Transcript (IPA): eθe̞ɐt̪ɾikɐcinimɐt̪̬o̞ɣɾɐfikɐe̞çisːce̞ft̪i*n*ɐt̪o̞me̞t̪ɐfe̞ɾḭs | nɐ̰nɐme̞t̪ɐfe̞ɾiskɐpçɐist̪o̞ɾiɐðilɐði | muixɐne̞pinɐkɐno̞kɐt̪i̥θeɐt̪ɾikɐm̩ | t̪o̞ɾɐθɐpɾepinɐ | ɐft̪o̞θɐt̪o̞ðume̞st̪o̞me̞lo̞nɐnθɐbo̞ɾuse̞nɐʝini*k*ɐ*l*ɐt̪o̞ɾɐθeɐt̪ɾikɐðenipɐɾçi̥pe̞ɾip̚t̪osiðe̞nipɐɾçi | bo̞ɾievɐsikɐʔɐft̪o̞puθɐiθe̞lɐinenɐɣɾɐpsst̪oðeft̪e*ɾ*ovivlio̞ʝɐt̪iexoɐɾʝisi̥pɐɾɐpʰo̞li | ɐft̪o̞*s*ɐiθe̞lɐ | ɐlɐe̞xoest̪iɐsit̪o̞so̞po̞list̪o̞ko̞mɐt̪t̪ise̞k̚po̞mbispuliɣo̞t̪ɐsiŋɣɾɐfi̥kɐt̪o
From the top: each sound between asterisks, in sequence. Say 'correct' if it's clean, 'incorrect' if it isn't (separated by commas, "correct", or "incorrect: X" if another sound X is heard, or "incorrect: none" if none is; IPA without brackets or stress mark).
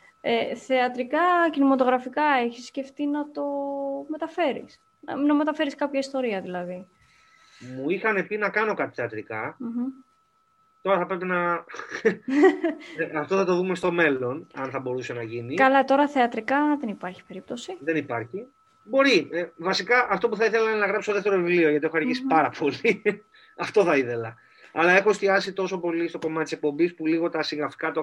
correct, correct, correct, correct, incorrect: θ